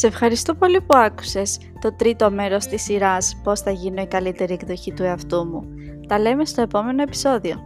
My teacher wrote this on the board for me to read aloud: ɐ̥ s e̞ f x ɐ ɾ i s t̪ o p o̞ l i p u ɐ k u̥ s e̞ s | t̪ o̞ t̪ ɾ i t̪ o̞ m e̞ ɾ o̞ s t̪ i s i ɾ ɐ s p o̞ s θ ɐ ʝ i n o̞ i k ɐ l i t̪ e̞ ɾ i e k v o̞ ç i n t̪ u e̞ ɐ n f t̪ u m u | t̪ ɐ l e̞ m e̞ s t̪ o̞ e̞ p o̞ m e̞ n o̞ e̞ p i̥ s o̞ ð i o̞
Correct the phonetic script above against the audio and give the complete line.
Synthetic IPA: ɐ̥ s e̞ f x ɐ ɾ i s t̪ o p o̞ l i p u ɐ k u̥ s e̞ s | t̪ o̞ t̪ ɾ i t̪ o̞ m e̞ ɾ o̞ s t̪ i s i ɾ ɐ s p o̞ s θ ɐ ʝ i n o̞ i k ɐ l i t̪ e̞ ɾ i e k ð o̞ ç i t̪ u e̞ ɐ f t̪ u m u | t̪ ɐ l e̞ m e̞ s t̪ o̞ e̞ p o̞ m e̞ n o̞ e̞ p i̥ s o̞ ð i o̞